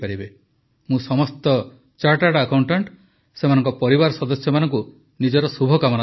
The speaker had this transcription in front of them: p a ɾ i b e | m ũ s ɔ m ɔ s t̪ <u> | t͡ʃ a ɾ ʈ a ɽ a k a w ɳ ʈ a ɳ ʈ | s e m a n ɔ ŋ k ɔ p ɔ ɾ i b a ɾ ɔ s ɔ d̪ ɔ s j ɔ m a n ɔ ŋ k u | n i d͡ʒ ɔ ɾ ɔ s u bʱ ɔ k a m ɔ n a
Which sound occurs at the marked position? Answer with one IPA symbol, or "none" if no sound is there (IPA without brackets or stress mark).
ɔ